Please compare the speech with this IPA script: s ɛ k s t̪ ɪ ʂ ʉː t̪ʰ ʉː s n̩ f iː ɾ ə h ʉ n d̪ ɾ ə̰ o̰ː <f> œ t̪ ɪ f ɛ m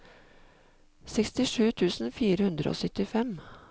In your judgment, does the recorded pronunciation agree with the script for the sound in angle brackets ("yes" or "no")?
no